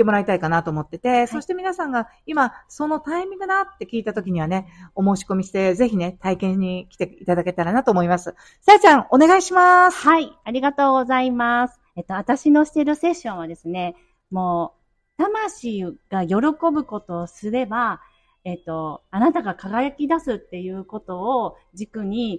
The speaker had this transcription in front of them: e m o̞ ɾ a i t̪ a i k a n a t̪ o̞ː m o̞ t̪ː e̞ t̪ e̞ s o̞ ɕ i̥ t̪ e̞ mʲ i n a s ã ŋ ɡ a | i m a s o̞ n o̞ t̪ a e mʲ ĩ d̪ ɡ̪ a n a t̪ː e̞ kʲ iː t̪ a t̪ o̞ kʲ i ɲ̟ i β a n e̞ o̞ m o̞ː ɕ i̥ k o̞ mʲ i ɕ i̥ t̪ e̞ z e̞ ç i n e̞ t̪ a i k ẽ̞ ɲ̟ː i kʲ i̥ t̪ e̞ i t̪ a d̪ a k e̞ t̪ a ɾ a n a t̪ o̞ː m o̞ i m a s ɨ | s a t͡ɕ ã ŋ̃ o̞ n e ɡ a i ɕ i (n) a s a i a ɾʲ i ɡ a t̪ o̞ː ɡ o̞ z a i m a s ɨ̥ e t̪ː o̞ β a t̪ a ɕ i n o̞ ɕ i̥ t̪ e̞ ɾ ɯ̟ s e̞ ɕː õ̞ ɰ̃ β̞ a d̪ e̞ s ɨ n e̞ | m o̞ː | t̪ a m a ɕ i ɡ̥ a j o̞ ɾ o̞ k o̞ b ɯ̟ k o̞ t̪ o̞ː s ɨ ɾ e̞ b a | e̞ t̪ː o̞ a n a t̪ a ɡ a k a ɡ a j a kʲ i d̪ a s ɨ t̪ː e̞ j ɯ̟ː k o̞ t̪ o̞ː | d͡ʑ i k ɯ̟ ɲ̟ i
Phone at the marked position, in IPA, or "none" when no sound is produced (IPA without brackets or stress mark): m